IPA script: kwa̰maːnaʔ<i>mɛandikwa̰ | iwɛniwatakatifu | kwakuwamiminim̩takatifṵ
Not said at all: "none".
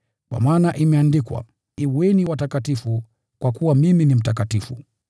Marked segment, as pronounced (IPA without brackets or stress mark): i